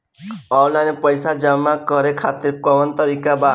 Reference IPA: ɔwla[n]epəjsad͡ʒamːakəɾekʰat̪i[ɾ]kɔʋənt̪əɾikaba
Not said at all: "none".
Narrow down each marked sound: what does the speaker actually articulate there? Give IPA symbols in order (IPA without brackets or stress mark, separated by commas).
n, ɾ